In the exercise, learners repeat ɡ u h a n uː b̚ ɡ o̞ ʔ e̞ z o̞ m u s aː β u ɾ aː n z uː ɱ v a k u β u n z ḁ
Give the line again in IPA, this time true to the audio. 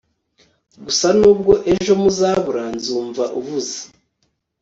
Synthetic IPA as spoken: ɡ u s a n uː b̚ ɡ o̞ ʔ e̞ ʒ o̞ m u z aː β u ɾ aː n z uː ɱ v a ʔ u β u z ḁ